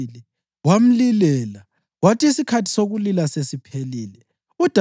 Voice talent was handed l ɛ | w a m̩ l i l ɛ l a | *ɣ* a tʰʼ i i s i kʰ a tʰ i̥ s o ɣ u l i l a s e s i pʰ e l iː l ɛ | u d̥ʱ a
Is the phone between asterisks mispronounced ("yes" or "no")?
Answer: yes